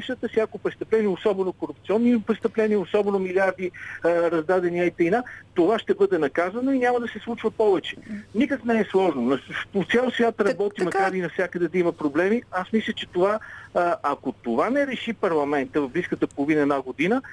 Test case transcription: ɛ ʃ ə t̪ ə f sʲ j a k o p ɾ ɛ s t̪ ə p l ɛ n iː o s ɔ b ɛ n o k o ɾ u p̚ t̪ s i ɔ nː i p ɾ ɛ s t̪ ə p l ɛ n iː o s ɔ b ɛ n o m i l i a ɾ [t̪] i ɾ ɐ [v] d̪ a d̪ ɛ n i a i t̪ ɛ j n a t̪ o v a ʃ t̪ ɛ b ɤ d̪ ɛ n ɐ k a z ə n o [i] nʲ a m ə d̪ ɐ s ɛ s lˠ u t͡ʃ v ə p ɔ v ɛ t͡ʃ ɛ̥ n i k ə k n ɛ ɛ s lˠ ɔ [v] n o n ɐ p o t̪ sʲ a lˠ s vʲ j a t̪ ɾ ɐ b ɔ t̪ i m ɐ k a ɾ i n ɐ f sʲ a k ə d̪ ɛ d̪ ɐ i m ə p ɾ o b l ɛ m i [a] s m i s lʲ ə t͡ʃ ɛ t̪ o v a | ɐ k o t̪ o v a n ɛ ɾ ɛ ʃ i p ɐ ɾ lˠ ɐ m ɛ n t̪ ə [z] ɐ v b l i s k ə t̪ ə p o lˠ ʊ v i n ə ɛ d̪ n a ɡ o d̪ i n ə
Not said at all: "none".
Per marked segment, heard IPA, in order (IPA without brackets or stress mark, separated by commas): d̪, z, i, ʒ, a, v